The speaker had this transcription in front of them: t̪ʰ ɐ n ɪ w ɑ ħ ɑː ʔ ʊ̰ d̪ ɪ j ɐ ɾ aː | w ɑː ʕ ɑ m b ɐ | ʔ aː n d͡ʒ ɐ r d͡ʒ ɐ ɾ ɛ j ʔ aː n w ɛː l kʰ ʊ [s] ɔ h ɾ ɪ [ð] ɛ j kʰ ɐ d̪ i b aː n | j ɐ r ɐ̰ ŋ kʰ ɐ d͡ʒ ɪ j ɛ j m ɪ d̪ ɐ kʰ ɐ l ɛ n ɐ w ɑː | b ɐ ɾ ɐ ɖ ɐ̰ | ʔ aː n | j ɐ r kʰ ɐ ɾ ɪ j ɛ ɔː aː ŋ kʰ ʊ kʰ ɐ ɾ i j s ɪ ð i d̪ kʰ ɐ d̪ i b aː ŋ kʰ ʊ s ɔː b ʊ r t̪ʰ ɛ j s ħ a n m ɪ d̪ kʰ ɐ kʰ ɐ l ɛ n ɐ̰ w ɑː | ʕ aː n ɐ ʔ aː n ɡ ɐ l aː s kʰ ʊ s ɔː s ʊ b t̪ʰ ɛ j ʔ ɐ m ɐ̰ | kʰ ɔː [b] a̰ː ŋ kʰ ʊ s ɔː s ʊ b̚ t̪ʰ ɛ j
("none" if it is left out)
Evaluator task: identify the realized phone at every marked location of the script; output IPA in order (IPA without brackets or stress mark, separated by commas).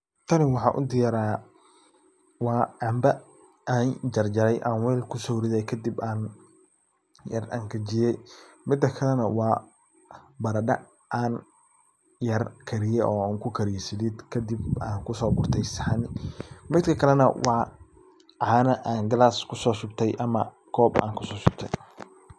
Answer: s, ð, b